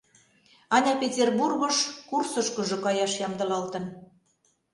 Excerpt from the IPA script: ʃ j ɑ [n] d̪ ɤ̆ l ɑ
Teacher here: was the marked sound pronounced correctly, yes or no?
no